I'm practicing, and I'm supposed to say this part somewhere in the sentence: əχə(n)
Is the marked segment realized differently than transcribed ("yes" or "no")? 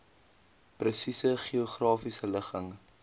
yes